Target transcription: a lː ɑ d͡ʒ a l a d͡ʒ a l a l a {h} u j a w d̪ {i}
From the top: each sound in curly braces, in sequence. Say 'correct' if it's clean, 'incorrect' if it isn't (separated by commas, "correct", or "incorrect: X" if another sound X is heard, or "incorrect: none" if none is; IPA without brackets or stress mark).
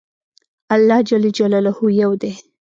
correct, incorrect: e